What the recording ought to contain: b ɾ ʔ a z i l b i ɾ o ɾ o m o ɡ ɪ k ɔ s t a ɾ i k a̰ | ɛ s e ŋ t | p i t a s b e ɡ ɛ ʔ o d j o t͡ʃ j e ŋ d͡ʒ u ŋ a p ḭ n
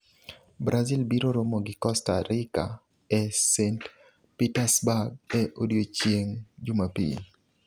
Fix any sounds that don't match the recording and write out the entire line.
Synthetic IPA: b ɾ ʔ a z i l b i ɾ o ɾ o m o ɡ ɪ k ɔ s t a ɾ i k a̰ | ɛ s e n t | p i t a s b a ɡ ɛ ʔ o d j o t͡ʃ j e ŋ d͡ʒ u m a p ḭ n